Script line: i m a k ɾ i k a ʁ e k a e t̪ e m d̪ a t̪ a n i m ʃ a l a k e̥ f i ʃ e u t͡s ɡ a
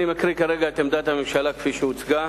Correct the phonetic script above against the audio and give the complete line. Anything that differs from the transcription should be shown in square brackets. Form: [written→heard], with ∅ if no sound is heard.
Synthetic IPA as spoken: i m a k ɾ i k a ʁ e [k→ɡ] a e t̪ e m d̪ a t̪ a [n→m] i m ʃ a l a k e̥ f i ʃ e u t͡s ɡ a